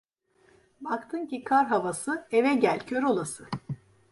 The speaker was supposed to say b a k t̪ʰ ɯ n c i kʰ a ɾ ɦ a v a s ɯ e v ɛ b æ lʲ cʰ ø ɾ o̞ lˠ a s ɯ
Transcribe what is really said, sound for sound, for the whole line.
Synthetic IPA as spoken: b a k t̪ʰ ɯ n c i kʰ a ɾ ɦ a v a s ɯ e v ɛ ɟ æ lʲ cʰ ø ɾ o̞ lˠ a s ɯ